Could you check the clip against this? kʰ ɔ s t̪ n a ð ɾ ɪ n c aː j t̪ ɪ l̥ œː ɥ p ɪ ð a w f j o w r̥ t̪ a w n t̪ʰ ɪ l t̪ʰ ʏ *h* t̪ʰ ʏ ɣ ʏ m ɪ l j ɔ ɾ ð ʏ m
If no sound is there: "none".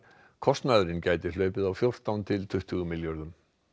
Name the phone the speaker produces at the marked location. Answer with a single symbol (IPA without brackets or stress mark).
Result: h